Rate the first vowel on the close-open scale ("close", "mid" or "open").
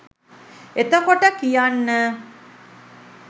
mid